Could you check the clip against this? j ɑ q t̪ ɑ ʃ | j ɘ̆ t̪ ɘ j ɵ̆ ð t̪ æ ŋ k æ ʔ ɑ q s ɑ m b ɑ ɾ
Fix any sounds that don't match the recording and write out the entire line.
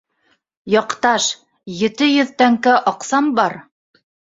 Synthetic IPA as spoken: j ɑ q t̪ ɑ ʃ | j ɘ̆ t̪ ɘ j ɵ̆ ð t̪ æ ŋ k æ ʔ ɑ q s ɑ m b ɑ ɾ